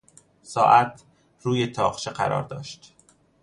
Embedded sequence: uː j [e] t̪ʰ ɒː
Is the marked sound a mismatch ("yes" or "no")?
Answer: no